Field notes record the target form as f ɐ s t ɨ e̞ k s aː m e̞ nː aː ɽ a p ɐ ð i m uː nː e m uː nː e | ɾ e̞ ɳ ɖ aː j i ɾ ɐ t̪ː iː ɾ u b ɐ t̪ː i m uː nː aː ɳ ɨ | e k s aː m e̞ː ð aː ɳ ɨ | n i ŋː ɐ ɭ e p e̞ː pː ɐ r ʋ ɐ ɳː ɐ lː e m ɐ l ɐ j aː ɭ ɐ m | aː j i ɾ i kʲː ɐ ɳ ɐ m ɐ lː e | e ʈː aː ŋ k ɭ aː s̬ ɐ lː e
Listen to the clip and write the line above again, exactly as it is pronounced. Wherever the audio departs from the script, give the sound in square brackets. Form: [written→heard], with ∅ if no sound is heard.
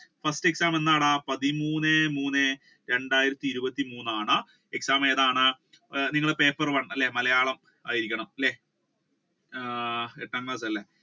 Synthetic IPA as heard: f ɐ s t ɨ e̞ k s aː m e̞ nː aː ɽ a p ɐ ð i m uː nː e m uː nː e | ɾ e̞ ɳ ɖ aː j i ɾ ɐ t̪ː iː ɾ u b ɐ t̪ː i m uː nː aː ɳ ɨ | e k s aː m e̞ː ð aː ɳ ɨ | n i ŋː ɐ ɭ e p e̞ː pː ɐ r ʋ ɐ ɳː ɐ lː e m ɐ l ɐ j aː ɭ ɐ m | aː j i ɾ i kʲː ɐ ɳ ɐ m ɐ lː e | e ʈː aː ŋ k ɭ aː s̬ ɐ lː e

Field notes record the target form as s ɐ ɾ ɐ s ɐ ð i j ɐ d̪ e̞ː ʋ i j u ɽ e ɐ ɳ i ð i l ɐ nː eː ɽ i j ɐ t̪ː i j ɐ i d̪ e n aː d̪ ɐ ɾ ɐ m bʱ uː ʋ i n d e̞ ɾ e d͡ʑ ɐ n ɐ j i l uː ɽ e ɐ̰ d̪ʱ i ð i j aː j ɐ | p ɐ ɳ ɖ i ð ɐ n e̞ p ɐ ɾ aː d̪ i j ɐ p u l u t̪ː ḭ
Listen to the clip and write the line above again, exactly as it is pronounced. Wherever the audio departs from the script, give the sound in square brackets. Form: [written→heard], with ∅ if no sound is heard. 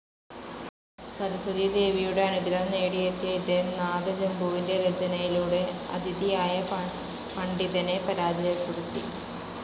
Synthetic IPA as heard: s ɐ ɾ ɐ s ɐ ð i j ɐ d̪ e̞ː ʋ i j u ɽ e ɐ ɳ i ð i l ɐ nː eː ɽ i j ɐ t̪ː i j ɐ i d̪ e n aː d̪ ɐ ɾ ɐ m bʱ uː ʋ i n d e̞ ɾ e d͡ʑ ɐ n ɐ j i l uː ɽ e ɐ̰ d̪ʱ i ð i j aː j ɐ | p ɐ ɳ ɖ i ð ɐ n e̞ p ɐ ɾ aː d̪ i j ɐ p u [l→ɽ] u t̪ː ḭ

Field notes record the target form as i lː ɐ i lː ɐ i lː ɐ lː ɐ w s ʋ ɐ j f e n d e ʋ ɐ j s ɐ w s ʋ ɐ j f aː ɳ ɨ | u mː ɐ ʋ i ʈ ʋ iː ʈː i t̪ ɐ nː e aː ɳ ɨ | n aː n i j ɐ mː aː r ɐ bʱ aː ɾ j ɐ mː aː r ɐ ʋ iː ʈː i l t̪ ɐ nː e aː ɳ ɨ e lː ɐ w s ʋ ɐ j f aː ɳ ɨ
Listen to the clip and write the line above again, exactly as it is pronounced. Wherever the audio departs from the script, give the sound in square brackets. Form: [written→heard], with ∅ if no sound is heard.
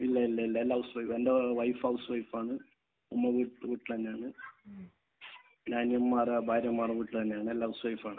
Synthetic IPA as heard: i lː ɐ i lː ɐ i lː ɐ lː ɐ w s ʋ ɐ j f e n d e ʋ ɐ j [s→f] ɐ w s ʋ ɐ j f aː ɳ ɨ | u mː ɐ ʋ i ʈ ʋ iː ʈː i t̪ ɐ nː e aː ɳ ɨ | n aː n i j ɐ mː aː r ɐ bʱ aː ɾ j ɐ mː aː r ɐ ʋ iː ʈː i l t̪ ɐ nː e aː ɳ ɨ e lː ɐ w s ʋ ɐ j f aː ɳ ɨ

